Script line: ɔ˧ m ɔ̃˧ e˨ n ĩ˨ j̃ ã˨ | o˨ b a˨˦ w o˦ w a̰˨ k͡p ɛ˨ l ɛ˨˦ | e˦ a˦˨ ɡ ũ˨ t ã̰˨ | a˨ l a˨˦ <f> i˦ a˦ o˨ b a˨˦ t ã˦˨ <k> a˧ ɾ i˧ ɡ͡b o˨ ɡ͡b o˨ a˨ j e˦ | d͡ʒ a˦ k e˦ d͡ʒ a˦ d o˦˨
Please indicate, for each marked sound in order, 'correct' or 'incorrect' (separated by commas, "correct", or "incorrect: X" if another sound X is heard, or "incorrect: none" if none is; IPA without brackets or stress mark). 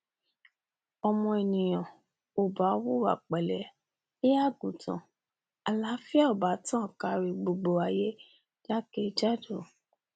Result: correct, correct